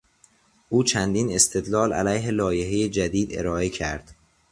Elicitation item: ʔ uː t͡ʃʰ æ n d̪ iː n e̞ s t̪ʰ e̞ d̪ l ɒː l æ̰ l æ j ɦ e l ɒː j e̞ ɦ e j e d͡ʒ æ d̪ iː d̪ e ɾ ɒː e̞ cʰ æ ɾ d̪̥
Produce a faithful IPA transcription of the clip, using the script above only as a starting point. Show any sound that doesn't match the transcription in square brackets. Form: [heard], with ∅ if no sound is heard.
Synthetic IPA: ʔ uː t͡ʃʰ æ n d̪ iː n e̞ s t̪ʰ e̞ d̪ l ɒː l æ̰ l æ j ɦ e l ɒː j e̞ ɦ e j e d͡ʒ æ d̪ iː d̪ e ɾ ɒː e̞ cʰ æ ɾ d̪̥